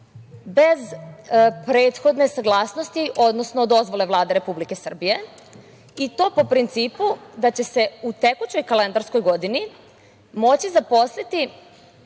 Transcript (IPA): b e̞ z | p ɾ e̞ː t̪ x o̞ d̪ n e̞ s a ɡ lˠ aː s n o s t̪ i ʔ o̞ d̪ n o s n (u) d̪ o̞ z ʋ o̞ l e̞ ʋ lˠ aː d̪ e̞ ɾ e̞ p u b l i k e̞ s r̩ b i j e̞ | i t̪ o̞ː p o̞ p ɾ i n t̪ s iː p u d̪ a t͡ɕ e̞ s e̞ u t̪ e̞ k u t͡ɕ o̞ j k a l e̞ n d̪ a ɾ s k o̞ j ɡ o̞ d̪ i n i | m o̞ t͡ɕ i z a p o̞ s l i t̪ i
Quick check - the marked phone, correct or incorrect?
incorrect